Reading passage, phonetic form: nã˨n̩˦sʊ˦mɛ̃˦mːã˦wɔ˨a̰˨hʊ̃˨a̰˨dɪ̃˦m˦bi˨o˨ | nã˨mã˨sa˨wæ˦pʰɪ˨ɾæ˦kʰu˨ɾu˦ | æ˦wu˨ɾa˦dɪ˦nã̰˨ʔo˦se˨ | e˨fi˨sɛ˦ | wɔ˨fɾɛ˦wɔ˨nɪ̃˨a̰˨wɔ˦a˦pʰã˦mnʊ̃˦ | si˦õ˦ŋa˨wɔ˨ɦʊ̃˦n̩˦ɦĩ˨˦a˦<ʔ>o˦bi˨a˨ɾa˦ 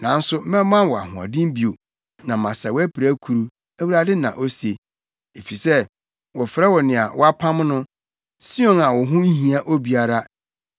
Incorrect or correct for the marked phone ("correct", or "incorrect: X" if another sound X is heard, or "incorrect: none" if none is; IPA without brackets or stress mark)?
correct